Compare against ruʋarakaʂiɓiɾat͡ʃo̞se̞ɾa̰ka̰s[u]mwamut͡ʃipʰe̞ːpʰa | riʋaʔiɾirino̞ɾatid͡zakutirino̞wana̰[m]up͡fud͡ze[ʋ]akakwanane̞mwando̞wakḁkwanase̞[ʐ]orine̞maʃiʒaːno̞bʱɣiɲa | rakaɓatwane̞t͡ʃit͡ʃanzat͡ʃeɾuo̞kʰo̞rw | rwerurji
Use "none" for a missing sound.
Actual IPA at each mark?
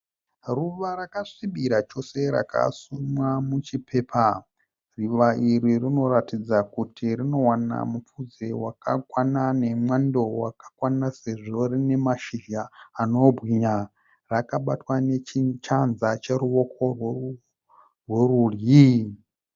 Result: u, m, w, ʐ

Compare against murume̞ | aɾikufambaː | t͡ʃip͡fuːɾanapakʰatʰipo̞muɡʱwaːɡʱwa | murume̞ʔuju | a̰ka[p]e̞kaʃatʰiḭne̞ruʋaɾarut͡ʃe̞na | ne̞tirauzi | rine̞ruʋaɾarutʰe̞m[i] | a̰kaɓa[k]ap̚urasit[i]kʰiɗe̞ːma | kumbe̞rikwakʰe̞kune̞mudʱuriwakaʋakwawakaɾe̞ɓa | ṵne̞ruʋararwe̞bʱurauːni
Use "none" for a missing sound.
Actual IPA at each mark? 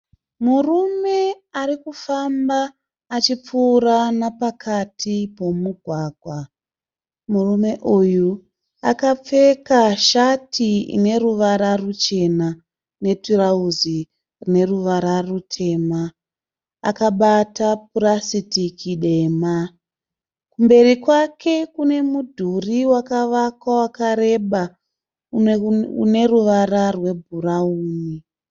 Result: p͡f, a, t, i

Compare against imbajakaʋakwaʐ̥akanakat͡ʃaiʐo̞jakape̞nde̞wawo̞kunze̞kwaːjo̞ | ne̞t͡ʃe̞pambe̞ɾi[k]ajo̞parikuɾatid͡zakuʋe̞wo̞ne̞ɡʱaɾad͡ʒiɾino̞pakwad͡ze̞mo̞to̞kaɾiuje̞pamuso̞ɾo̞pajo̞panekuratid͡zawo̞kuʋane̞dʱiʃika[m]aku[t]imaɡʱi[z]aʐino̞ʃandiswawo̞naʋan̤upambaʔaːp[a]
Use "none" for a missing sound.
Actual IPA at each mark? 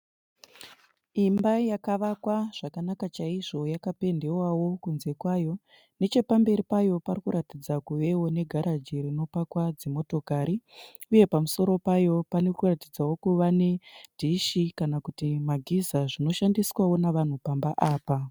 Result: p, n, t, z, a

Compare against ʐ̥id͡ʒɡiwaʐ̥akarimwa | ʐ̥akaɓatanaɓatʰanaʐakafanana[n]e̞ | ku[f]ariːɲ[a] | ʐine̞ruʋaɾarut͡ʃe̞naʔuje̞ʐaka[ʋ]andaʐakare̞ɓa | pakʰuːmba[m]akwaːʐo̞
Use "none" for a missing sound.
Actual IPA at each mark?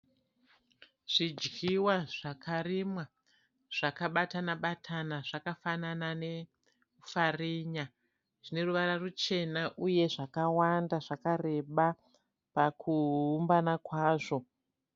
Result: n, f, a, w, n

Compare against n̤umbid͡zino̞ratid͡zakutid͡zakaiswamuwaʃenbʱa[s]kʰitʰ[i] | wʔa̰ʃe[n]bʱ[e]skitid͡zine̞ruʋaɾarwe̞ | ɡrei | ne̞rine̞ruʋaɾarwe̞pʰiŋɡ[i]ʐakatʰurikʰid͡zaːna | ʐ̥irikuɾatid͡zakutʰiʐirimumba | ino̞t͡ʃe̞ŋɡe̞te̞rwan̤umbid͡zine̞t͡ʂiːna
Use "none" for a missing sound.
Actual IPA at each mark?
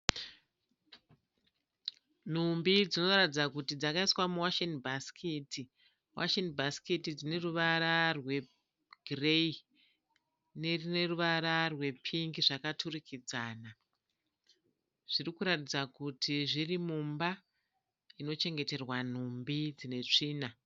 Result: s, i, n, a, i

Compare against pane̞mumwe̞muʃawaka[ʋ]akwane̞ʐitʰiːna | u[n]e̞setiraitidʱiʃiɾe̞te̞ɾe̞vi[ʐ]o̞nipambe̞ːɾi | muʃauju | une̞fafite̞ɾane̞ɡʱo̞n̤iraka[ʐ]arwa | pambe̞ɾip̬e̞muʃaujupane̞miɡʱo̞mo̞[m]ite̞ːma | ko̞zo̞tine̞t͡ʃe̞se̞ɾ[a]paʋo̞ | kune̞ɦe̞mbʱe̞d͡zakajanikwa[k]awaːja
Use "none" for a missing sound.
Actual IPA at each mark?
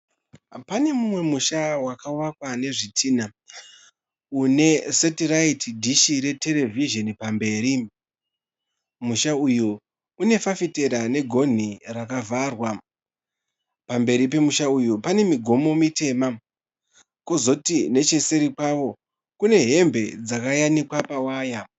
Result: w, n, ʒ, v, m, i, p

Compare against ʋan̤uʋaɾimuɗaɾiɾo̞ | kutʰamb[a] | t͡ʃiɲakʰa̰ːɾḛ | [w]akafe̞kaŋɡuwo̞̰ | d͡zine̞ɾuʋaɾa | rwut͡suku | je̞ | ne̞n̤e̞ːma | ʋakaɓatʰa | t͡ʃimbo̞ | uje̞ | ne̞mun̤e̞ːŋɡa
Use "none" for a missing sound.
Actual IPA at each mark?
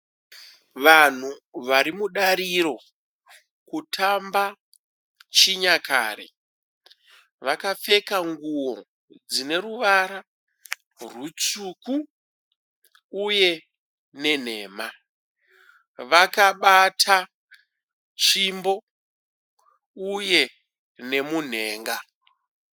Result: a, ʋ

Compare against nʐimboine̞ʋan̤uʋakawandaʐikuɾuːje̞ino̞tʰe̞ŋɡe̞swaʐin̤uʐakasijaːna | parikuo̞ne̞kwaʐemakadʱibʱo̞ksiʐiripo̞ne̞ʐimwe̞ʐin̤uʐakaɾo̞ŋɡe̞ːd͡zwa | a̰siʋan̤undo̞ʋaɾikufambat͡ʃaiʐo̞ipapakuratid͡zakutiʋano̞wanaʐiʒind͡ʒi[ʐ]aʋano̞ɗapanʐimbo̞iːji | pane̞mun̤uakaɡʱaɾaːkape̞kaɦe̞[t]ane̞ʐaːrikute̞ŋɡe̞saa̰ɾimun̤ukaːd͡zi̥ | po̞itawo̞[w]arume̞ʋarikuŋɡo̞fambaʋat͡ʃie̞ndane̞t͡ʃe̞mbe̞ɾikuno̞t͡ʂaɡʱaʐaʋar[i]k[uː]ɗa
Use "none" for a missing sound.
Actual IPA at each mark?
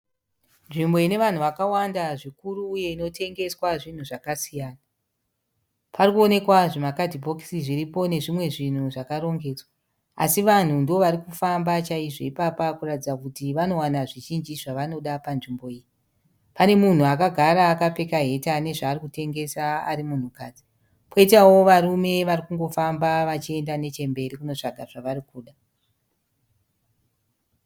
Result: ʐ, t, ʋ, i, uː

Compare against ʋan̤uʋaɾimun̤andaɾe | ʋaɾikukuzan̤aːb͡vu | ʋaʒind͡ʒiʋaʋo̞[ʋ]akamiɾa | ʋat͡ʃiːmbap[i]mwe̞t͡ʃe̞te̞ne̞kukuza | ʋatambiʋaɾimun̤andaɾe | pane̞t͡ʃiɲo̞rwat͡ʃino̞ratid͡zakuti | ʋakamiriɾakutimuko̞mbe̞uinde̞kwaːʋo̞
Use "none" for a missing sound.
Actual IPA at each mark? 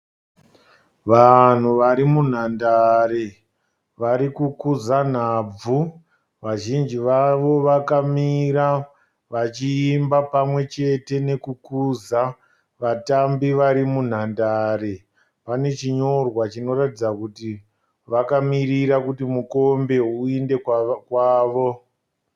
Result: ʋ, a

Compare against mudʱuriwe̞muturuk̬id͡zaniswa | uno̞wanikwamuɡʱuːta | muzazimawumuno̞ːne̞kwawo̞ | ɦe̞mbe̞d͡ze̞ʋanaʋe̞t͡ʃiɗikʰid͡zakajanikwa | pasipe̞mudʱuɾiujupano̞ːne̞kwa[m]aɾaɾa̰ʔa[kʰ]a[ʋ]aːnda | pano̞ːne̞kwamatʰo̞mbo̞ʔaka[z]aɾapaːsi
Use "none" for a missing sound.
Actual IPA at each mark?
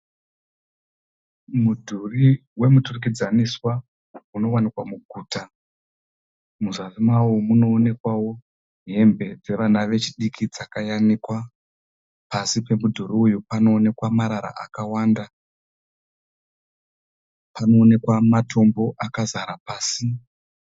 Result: m, k, w, z

